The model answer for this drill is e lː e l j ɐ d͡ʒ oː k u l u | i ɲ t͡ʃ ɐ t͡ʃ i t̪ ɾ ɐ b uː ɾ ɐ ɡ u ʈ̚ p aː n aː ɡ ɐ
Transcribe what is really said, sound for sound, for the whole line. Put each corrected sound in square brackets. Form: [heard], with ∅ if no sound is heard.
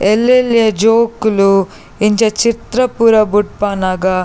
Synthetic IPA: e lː e l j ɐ d͡ʒ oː k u l u | i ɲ t͡ʃ ɐ t͡ʃ i t̪ ɾ ɐ [p] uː ɾ ɐ [b] u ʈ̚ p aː n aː ɡ ɐ